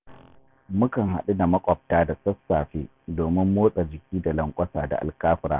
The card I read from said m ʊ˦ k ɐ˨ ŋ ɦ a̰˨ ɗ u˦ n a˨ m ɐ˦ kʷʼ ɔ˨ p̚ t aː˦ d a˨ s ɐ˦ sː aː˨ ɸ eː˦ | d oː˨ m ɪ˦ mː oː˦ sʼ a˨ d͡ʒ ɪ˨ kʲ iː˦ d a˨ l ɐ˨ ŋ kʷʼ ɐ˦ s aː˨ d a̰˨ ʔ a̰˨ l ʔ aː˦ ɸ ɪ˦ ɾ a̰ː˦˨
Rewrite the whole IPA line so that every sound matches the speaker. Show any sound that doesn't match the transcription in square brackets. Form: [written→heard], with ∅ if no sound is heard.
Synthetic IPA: m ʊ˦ k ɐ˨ ŋ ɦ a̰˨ ɗ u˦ n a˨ m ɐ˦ kʷʼ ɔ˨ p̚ t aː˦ d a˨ s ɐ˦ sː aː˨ ɸ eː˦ | d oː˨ m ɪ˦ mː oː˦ sʼ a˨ d͡ʒ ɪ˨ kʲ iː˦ d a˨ l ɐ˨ ŋ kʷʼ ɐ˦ s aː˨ d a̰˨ ʔ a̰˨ l [ʔ→k] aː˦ ɸ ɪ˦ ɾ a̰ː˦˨